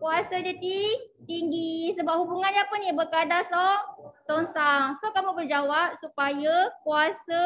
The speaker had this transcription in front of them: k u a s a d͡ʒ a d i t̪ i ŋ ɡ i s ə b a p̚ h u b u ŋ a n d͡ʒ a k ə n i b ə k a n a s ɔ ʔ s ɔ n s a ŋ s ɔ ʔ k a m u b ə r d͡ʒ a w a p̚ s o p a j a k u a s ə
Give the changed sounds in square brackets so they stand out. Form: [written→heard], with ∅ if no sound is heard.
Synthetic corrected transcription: k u a s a d͡ʒ a d i t̪ i ŋ ɡ i s ə b a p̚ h u b u ŋ a n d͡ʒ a [k→p] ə n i b ə k a [n→d] a s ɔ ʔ s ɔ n s a ŋ s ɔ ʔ k a m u b ə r d͡ʒ a w a p̚ s [o→u] p a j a k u a s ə